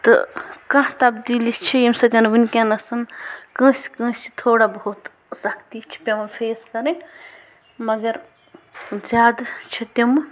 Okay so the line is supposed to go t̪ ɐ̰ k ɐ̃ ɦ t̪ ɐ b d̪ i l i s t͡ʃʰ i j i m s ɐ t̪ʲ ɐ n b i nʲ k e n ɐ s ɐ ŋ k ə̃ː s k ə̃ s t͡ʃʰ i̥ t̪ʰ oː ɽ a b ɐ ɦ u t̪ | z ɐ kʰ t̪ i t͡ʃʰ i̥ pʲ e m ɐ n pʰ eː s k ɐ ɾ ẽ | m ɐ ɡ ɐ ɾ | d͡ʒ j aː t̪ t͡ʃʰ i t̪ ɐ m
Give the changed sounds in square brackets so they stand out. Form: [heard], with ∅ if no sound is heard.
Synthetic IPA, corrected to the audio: t̪ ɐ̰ k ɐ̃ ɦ t̪ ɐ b d̪ i l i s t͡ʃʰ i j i m s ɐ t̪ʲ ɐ n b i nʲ k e n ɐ s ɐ [n] k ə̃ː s k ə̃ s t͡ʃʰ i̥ t̪ʰ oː ɽ a b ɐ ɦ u t̪ | [s] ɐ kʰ t̪ i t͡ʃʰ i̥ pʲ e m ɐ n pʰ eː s k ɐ ɾ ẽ | m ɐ ɡ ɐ ɾ | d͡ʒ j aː [d̪] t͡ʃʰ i t̪ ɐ m